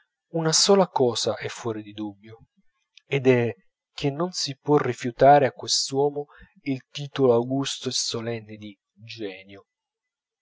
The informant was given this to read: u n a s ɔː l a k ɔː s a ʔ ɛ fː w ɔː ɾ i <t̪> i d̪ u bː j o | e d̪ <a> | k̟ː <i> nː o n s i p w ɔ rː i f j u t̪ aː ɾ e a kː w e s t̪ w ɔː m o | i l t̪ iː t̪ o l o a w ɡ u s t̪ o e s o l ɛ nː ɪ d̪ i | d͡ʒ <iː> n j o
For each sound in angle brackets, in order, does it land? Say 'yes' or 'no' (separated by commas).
no, no, no, no